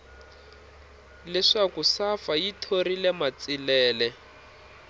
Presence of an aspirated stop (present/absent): present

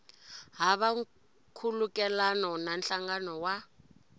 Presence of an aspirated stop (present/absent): present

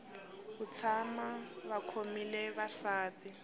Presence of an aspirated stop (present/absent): present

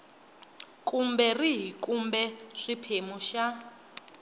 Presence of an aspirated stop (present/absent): present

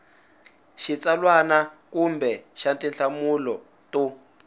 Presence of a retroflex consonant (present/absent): absent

